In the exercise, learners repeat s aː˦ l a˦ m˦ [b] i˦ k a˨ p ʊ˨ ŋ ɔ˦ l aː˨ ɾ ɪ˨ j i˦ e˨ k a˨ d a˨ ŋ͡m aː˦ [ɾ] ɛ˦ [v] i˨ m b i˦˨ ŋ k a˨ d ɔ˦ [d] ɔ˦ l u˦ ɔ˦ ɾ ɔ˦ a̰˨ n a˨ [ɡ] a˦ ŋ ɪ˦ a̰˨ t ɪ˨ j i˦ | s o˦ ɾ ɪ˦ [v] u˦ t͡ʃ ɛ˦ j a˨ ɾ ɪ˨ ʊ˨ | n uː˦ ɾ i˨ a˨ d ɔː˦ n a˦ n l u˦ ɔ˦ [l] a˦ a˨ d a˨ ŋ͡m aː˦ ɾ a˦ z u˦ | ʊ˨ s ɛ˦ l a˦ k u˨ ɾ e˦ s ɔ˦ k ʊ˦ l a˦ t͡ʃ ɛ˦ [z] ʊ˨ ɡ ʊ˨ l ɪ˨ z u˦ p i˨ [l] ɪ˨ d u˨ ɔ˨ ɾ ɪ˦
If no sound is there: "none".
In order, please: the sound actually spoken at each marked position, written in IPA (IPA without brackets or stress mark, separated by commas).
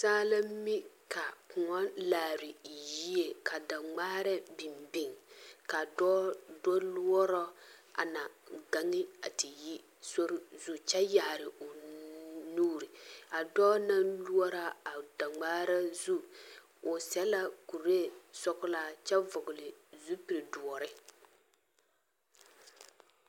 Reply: m, ɾ, b, d, ɡ, z, ɾ, v, ɾ